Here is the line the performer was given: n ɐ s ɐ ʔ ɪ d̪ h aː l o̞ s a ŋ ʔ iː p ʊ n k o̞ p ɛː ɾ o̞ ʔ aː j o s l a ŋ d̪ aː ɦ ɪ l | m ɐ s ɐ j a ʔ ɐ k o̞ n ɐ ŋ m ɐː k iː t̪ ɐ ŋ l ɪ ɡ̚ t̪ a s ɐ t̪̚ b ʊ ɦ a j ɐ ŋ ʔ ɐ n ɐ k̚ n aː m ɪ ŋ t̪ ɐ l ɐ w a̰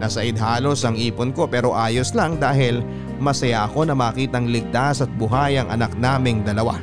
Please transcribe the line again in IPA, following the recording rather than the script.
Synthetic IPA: n ɐ s ɐ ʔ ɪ d̪ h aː l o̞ s ɐ ŋ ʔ iː p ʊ n k o̞ p ɛː ɾ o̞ ʔ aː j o s l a ŋ d̪ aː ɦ ɪ l | m ɐ s ɐ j a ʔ ɐ k o̞ n ɐ m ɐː k iː t̪ ɐ ŋ l ɪ ɡ̚ t̪ a s ɐ t̪̚ b ʊ ɦ a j ɐ ŋ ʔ ɐ n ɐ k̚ n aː m ɪ ŋ d̪ ɐ l ɐ w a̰